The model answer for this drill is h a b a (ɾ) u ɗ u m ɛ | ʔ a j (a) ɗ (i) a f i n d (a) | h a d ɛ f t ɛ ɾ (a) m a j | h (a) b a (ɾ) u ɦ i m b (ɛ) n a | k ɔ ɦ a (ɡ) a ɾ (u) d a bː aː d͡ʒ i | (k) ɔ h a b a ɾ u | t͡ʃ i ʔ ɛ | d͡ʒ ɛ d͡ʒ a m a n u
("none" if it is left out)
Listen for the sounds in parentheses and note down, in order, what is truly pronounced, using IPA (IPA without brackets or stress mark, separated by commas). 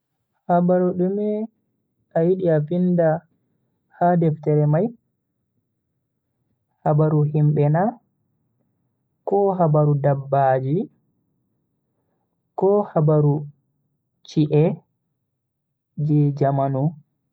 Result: ɾ, i, i, a, ɛ, a, ɾ, ɛ, b, u, k